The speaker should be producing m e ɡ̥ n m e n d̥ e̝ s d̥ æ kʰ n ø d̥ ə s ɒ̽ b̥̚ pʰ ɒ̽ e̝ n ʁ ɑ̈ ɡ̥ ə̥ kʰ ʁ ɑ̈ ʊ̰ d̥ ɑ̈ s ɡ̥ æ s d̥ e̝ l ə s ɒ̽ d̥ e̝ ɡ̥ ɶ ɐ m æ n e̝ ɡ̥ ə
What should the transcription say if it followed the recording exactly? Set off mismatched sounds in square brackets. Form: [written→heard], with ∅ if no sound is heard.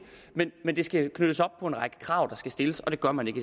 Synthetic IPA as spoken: m e [ɡ̥→∅] n m e n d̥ e̝ s [d̥→ɡ̥] æ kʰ n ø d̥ ə s ɒ̽ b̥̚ pʰ ɒ̽ e̝ n ʁ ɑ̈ ɡ̥ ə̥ kʰ ʁ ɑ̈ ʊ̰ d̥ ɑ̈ s ɡ̥ æ s d̥ e̝ l ə s ɒ̽ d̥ e̝ ɡ̥ ɶ ɐ m æ n e̝ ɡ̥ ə